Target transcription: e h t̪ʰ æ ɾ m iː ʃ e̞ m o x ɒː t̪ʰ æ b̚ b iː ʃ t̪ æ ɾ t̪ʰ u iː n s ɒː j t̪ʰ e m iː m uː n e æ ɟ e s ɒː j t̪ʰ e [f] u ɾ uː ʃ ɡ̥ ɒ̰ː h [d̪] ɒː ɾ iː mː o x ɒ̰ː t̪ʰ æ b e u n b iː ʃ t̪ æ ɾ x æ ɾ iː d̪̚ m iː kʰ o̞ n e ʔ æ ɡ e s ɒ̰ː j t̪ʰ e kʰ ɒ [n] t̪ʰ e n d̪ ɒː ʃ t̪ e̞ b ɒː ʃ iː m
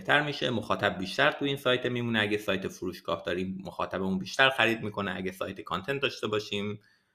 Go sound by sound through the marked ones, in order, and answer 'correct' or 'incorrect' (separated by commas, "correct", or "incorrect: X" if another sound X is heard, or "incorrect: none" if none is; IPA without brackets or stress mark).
correct, correct, correct